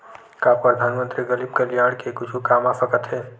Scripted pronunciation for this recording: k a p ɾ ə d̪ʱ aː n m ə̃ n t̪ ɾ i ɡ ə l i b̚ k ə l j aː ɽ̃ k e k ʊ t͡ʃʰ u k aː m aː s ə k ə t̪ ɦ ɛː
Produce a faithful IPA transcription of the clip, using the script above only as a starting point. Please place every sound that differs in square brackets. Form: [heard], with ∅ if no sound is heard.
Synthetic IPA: k a p ɾ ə d̪ʱ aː n m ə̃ n t̪ ɾ i ɡ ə l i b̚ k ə l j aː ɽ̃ k e k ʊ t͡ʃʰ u k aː m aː s ə k ə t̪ ɦ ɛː